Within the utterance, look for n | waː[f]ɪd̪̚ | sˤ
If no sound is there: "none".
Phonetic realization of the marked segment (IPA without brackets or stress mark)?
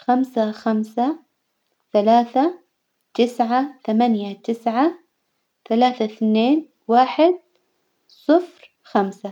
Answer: ħ